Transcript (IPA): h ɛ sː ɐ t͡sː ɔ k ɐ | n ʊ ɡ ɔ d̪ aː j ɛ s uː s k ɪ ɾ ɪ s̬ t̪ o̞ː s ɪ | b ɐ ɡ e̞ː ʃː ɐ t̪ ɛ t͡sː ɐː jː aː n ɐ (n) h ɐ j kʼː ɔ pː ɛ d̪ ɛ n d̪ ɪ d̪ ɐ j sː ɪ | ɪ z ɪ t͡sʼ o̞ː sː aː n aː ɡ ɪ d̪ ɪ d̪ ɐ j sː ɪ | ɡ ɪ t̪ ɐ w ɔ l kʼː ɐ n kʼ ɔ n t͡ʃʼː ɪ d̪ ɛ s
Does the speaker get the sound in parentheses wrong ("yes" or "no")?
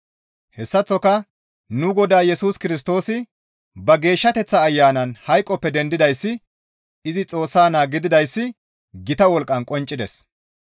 no